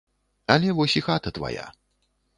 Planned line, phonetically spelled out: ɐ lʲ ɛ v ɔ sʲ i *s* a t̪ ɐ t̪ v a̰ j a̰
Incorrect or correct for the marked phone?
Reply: incorrect: x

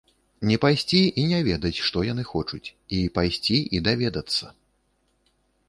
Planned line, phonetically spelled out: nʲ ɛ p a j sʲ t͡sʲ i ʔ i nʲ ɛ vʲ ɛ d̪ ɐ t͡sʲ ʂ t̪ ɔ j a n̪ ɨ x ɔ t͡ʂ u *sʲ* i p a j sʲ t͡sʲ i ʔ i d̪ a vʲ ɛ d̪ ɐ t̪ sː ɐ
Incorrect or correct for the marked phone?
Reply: incorrect: t͡sʲ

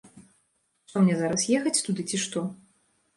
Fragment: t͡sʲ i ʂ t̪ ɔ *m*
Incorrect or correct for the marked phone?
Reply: incorrect: none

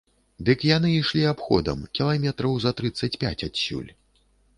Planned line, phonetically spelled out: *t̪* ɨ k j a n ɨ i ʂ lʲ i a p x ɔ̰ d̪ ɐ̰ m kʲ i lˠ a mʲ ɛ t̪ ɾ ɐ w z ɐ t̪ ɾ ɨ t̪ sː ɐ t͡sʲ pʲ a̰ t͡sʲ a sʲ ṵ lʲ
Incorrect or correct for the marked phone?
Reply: incorrect: d̪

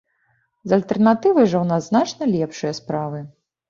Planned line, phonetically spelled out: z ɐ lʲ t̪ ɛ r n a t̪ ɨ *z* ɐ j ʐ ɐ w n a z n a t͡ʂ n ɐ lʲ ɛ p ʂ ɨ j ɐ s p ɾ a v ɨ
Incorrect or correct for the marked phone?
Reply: incorrect: v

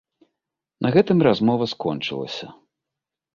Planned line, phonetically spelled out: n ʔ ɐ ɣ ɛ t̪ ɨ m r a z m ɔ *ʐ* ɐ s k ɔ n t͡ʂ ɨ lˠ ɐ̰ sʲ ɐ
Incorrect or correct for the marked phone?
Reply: incorrect: v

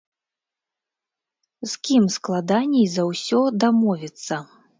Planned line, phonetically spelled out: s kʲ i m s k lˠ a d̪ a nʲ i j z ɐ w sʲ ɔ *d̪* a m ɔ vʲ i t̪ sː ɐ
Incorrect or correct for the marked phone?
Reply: correct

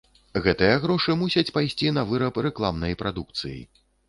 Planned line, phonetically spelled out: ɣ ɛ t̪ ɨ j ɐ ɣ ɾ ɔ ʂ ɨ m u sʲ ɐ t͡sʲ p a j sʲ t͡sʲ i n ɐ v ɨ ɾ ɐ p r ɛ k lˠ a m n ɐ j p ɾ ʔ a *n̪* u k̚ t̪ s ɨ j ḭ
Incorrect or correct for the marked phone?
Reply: incorrect: d̪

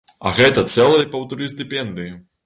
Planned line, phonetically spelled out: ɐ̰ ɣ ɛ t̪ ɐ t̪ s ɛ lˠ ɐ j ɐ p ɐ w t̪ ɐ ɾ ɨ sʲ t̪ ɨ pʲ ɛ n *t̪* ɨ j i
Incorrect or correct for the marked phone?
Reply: incorrect: d̪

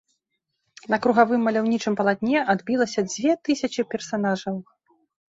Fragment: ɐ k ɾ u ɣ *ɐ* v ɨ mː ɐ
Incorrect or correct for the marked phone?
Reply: incorrect: a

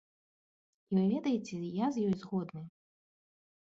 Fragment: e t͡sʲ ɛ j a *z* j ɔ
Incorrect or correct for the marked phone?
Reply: correct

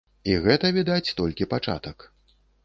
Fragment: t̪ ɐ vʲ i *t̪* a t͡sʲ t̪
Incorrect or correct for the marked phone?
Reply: incorrect: d̪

